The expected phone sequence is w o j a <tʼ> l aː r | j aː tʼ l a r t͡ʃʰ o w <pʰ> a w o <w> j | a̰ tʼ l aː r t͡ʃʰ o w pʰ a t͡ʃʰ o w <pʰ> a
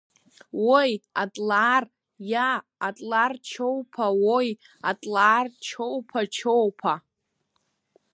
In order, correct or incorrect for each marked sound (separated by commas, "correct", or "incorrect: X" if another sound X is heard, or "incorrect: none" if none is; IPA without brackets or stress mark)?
correct, correct, incorrect: none, correct